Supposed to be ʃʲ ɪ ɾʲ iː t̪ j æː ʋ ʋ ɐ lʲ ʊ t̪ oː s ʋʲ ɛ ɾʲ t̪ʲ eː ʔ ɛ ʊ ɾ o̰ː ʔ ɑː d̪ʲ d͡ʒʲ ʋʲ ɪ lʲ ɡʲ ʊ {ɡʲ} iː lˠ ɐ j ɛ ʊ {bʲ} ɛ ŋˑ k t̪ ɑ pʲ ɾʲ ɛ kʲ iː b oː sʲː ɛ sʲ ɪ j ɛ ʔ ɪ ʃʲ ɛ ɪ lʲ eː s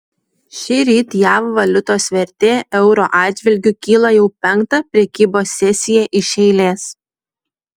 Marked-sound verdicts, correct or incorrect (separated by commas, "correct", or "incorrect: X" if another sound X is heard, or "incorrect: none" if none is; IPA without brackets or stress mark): incorrect: kʲ, incorrect: pʲ